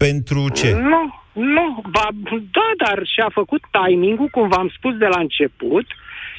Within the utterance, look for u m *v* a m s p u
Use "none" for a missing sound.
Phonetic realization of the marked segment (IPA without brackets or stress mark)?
v